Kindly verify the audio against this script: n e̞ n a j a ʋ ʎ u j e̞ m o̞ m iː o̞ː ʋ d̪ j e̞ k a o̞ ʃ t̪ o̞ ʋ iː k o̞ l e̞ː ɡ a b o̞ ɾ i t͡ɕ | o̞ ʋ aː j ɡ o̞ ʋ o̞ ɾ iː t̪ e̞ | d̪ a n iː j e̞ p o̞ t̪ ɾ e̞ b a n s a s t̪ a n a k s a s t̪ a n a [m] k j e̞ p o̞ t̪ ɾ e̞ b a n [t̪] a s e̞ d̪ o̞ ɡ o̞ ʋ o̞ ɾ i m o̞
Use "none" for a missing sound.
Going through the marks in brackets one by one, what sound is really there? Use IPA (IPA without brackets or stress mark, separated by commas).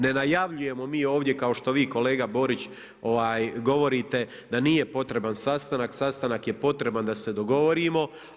none, d̪